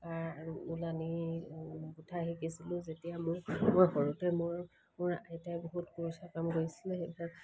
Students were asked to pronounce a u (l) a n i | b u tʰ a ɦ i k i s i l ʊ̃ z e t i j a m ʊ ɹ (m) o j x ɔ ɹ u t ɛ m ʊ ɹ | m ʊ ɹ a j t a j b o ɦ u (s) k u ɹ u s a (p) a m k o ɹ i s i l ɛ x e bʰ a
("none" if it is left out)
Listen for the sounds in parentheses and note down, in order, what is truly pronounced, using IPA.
l, m, t, k

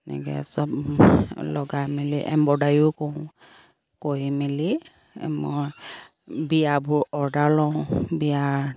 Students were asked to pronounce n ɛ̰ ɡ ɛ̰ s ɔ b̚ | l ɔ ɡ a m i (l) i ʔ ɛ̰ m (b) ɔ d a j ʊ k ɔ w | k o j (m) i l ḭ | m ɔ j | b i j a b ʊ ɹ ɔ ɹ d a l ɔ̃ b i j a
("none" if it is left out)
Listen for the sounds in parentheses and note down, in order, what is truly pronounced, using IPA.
l, b, m

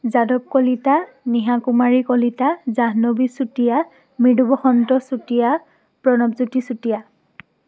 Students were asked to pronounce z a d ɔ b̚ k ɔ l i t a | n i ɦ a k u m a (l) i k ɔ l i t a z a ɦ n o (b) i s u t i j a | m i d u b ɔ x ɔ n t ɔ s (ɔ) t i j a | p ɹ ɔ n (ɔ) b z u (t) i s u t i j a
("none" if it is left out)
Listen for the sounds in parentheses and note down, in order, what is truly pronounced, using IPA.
ɹ, b, u, ɔ, t

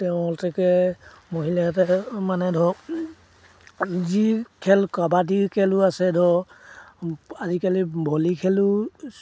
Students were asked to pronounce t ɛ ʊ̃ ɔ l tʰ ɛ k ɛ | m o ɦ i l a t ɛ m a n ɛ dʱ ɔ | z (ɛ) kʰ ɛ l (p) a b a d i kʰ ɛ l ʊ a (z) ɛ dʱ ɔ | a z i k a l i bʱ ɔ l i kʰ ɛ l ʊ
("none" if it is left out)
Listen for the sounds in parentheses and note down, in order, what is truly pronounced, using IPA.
i, k, s

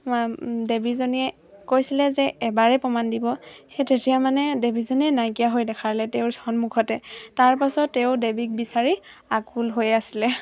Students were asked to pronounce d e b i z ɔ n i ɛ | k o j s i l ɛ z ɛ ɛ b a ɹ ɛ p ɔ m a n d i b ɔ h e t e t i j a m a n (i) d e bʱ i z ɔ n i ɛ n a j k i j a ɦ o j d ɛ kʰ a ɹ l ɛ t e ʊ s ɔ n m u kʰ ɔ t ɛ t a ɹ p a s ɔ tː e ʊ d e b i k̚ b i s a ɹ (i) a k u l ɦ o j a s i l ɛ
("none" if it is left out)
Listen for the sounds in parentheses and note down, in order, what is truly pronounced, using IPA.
ɛ, i

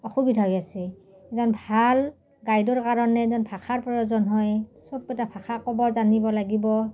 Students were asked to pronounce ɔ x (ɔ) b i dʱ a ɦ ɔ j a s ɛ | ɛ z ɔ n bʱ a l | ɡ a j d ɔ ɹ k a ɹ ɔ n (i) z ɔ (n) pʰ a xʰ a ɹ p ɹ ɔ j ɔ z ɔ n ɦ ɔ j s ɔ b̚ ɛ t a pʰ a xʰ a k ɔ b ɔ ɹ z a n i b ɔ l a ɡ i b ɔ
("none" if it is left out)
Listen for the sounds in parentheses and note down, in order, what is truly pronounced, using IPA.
u, ɛ, n

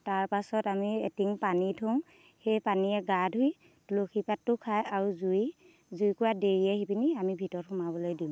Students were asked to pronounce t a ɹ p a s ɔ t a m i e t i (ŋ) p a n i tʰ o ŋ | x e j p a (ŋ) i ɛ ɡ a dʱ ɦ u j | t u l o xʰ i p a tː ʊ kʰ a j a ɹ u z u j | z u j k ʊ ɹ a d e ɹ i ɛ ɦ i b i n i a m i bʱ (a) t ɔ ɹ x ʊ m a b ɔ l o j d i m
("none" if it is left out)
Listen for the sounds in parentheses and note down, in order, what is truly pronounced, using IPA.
ŋ, n, i

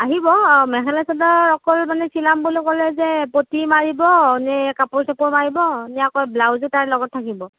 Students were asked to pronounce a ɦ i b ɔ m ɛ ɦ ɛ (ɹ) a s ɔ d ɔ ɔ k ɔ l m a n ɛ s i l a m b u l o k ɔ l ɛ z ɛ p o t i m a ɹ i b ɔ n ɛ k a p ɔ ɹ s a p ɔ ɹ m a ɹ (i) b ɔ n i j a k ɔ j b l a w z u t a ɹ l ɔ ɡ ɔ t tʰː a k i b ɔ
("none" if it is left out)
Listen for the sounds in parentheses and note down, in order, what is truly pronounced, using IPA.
l, i

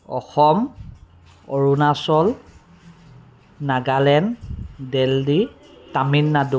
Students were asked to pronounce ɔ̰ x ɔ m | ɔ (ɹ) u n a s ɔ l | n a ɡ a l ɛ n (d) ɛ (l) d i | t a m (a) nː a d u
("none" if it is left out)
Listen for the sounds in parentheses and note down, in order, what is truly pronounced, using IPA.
ɹ, d, l, i

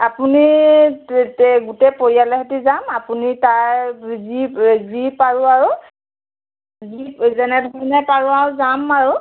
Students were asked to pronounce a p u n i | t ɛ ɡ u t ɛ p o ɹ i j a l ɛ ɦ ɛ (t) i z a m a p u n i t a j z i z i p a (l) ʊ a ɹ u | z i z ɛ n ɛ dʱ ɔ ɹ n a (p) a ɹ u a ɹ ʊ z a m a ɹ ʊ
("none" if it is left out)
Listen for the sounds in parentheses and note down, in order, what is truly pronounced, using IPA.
t, ɹ, p

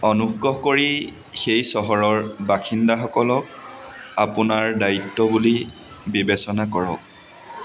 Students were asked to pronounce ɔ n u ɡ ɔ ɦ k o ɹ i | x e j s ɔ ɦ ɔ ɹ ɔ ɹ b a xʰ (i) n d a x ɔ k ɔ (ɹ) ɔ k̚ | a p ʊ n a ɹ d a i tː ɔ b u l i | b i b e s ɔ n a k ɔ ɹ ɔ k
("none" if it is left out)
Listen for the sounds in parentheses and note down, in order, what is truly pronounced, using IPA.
i, l

